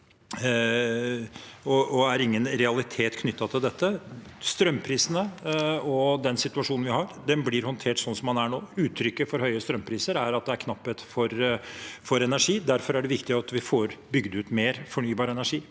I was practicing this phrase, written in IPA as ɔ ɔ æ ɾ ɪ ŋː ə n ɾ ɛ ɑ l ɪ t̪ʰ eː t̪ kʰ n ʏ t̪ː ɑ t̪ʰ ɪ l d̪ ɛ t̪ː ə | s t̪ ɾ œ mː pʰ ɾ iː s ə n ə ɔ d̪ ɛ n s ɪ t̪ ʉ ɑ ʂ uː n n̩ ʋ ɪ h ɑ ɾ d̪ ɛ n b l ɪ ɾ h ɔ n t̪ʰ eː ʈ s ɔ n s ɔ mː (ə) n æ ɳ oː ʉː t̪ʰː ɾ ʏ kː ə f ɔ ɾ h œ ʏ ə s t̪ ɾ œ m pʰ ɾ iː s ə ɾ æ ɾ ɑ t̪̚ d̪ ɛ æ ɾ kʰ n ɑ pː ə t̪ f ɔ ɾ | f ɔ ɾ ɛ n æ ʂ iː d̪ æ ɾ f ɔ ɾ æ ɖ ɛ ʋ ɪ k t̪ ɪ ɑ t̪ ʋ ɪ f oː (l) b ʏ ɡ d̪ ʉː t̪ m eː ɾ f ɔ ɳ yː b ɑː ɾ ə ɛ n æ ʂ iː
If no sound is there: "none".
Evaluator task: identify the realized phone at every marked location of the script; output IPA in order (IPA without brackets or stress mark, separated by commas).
ɑ, ɾ